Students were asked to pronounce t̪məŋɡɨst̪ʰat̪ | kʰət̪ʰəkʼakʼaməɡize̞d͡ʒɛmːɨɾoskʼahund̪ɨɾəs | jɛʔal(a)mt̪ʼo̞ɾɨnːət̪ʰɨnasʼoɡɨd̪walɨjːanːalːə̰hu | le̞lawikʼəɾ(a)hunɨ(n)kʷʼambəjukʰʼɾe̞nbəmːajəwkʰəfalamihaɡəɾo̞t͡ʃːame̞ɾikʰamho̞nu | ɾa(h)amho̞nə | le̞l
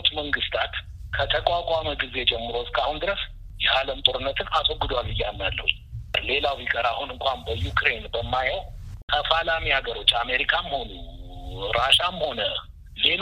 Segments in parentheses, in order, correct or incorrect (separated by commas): incorrect, correct, incorrect, incorrect